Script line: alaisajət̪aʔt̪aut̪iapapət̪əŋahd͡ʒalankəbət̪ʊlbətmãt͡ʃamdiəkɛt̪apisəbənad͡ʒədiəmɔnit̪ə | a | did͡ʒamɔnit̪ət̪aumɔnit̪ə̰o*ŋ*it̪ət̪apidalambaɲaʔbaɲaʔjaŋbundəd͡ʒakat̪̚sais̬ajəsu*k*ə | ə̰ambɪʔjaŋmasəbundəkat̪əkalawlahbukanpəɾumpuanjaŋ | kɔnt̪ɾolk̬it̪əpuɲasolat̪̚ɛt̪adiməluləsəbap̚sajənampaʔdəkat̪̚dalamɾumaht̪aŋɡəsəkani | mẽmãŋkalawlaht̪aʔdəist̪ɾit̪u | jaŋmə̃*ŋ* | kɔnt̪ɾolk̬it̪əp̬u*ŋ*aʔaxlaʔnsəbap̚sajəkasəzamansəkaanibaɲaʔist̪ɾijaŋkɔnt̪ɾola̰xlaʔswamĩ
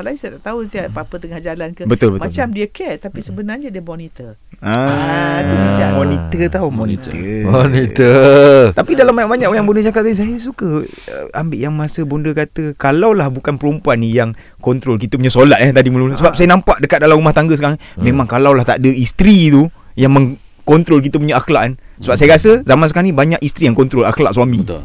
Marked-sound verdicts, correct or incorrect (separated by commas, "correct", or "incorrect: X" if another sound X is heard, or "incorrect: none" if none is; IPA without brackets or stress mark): incorrect: n, correct, correct, incorrect: ɲ